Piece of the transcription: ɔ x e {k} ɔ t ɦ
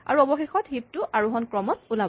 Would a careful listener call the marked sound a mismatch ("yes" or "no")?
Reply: yes